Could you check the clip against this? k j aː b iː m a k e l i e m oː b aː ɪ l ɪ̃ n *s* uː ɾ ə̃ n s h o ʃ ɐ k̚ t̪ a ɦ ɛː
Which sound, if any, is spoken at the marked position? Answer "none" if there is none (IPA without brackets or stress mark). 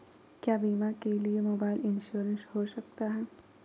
ʃ